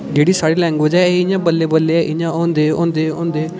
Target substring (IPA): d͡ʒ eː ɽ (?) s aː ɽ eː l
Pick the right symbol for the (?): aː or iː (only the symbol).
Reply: iː